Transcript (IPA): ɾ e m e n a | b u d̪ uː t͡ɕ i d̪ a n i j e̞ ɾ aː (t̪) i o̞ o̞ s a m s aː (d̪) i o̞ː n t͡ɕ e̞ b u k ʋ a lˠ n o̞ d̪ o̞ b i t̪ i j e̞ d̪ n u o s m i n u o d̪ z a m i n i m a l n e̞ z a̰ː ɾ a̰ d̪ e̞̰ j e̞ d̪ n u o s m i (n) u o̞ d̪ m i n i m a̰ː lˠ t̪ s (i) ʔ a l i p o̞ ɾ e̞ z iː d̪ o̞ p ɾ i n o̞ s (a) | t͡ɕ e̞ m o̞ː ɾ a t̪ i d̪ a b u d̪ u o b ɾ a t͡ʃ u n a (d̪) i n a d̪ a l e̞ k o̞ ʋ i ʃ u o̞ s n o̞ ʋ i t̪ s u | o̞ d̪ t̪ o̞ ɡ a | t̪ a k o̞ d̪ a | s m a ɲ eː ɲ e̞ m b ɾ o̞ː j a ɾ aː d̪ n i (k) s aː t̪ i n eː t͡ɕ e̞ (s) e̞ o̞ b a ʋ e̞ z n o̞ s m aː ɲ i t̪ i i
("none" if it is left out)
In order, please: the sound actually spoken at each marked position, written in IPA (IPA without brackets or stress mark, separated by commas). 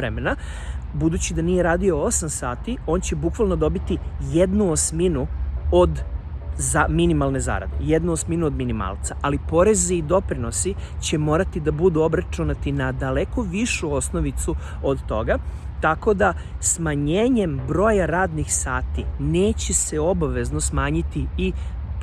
d̪, t̪, n, a, i, t̪, x, s